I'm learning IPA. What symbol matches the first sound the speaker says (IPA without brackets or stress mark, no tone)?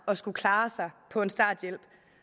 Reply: ɒ̽